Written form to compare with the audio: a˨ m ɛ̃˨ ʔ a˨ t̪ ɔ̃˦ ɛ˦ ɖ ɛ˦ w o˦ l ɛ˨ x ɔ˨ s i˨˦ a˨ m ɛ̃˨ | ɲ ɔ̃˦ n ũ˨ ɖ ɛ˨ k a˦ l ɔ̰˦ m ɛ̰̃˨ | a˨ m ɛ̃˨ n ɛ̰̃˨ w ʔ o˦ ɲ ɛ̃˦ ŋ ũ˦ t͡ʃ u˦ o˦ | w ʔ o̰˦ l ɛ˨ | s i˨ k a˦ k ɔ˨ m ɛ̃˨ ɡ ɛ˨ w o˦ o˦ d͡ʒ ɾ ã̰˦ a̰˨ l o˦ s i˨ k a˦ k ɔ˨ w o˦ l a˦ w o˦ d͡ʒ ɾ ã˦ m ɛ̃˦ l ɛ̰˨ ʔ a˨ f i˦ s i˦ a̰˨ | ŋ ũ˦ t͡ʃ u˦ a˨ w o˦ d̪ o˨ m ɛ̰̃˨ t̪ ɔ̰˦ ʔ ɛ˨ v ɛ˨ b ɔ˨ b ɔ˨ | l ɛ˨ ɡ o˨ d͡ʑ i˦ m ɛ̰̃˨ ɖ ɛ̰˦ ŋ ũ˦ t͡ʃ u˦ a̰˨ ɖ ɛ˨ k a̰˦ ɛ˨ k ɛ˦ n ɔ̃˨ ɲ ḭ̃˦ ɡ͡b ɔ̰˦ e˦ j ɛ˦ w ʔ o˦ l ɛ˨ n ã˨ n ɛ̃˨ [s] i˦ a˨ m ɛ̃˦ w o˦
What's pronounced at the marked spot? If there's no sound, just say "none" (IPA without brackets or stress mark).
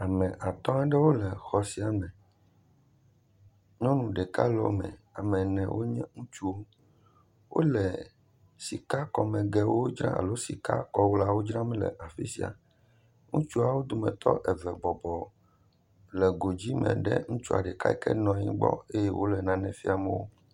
f